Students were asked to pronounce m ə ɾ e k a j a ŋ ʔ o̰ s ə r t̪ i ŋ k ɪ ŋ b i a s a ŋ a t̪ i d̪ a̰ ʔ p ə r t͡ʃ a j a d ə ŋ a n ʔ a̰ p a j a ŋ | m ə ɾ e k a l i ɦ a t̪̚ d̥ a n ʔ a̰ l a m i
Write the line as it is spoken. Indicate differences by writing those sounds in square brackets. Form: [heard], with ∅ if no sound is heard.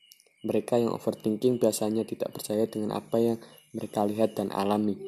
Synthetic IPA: m ə ɾ e k a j a ŋ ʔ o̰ [f] ə r t̪ i ŋ k ɪ ŋ b i a s a [ɲ] a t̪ i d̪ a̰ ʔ p ə r t͡ʃ a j a d ə ŋ a n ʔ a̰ p a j a ŋ | m ə ɾ e k a l i ɦ a t̪̚ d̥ a n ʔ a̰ l a m i